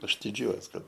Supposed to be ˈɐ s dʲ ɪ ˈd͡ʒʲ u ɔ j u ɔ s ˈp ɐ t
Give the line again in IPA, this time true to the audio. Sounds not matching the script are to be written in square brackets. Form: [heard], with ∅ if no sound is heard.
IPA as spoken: ˈɐ [ʃ] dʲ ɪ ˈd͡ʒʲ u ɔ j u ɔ s [ˈk] ɐ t